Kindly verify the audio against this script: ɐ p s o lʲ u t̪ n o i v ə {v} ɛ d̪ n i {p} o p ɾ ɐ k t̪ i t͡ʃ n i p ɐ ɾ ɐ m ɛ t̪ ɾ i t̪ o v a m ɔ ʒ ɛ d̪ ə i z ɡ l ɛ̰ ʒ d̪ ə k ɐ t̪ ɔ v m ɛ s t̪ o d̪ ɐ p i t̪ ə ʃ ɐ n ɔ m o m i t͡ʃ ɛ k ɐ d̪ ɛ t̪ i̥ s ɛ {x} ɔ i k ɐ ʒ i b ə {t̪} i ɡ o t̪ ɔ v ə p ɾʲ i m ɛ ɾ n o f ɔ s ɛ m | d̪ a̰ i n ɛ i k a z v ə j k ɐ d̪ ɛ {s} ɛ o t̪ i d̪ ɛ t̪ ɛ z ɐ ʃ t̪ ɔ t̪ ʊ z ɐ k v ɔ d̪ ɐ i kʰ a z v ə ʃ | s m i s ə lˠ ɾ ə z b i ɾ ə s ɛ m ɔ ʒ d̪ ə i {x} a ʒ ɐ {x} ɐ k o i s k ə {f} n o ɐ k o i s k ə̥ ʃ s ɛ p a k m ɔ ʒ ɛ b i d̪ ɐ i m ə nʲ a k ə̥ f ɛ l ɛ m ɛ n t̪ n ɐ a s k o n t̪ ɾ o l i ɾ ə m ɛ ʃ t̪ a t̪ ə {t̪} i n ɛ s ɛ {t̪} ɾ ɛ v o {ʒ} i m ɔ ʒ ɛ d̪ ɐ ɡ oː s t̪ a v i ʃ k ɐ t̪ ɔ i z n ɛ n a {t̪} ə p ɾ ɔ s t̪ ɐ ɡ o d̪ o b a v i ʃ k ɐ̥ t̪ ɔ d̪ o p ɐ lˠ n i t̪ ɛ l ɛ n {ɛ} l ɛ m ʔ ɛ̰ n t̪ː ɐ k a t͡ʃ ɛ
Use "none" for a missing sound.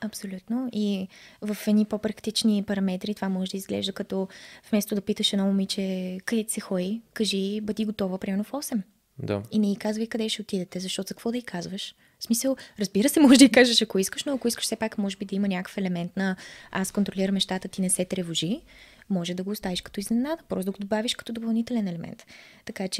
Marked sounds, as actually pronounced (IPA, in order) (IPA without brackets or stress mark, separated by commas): f, p, x, d̪, ʃ, k, ʃ, ʃ, t̪, t̪, ʒ, d̪, ɛ